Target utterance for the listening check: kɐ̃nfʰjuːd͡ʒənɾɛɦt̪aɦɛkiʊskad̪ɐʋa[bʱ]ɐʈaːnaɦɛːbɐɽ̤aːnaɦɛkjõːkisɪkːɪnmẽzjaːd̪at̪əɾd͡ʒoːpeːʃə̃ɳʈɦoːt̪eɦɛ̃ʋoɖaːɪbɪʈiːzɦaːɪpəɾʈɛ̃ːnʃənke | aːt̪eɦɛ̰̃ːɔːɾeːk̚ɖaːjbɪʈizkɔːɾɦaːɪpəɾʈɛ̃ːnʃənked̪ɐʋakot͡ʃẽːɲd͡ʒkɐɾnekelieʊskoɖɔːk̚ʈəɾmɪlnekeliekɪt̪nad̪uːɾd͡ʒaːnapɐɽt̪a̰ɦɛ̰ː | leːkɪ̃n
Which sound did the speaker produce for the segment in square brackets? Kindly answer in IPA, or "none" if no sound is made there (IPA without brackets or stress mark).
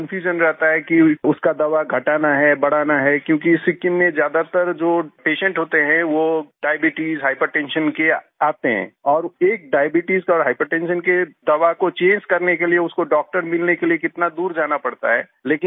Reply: ɡʱ